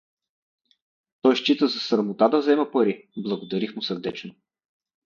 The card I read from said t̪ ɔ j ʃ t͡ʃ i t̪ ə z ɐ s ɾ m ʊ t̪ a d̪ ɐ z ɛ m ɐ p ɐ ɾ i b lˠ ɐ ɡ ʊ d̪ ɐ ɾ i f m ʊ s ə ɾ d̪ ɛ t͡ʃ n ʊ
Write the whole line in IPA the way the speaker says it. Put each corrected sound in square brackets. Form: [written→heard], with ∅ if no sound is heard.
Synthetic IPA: t̪ ɔ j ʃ t͡ʃ i t̪ ə z ɐ s ɾ m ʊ t̪ a d̪ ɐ z ɛ m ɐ p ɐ ɾ i b lˠ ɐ ɡ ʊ d̪ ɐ ɾ i [f→x] m ʊ s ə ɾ d̪ ɛ t͡ʃ n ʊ